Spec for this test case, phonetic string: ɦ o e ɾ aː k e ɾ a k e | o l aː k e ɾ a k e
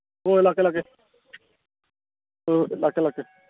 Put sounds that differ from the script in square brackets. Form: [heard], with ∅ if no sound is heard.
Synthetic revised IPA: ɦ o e [l] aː k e [l] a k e | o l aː k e [l] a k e